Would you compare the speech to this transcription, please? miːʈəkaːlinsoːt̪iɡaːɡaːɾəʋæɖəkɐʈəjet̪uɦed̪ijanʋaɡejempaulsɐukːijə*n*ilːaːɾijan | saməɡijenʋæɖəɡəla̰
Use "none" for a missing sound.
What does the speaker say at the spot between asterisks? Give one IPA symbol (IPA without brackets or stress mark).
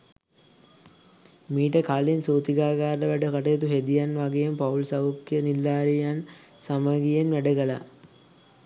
n